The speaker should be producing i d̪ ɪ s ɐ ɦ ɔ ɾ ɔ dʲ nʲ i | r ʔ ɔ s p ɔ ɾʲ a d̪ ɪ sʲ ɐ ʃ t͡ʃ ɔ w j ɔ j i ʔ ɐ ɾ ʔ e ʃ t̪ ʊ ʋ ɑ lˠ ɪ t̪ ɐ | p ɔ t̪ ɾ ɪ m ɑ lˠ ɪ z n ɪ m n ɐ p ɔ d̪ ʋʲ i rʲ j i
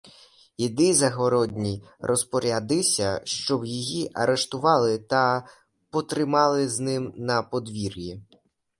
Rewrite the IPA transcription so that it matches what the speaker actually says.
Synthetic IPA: i d̪ ɪ z ɐ ɦ ɔ ɾ ɔ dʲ nʲ i | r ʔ ɔ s p ɔ ɾʲ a d̪ ɪ sʲ ɐ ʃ t͡ʃ ɔ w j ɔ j i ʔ ɐ ɾ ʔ e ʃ t̪ ʊ ʋ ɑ lˠ ɪ t̪ ɐ | p ɔ t̪ ɾ ɪ m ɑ lˠ ɪ z n ɪ m n ɐ p ɔ d̪ ʋʲ i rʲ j i